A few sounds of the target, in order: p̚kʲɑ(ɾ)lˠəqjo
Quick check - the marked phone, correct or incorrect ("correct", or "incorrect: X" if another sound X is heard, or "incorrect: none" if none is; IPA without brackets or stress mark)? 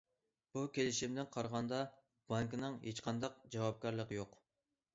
correct